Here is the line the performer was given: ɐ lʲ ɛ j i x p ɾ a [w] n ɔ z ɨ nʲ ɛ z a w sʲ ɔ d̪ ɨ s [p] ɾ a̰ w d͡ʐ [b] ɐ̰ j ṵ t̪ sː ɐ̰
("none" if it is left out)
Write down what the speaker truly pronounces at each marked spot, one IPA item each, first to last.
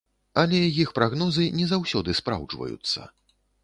ɣ, p, v

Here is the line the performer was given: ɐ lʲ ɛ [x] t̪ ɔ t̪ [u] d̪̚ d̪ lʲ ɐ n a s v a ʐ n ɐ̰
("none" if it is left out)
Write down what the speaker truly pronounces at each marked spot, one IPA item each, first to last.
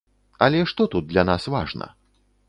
ʂ, u

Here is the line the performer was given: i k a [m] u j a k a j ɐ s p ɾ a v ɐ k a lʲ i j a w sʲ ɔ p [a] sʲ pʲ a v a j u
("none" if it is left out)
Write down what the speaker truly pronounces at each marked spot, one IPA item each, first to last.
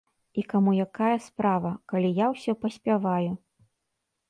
m, ɐ

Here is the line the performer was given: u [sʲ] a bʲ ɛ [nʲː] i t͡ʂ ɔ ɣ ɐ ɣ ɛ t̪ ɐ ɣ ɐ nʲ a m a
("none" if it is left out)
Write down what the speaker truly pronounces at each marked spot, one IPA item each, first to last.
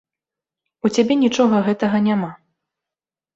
t͡sʲ, nʲ

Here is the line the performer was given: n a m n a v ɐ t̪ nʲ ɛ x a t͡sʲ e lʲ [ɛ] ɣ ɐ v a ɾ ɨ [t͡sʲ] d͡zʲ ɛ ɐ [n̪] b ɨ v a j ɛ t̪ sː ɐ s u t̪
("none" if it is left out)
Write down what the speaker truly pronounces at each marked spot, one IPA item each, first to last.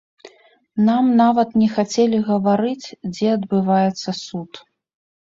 i, t͡sʲ, d̪

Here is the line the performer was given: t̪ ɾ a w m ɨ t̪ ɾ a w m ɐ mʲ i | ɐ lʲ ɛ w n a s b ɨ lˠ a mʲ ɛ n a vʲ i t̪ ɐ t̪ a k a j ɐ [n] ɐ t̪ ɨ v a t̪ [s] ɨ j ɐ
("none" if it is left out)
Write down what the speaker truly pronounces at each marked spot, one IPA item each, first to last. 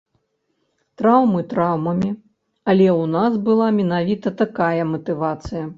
m, s

